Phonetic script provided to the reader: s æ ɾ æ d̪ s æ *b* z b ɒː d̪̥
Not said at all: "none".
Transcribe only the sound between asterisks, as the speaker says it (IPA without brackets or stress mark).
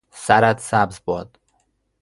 b